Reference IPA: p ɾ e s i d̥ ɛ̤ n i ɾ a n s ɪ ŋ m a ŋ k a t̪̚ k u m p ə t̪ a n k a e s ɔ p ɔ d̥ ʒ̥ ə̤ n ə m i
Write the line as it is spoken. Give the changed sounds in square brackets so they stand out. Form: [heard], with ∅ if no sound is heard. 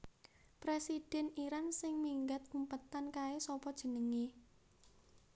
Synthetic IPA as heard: p ɾ e s i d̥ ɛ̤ n i ɾ a n s ɪ ŋ m [i] ŋ [ɡ] a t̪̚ k u m p ə t̪ a n k a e s ɔ p ɔ d̥ ʒ̥ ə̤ n ə [ŋ] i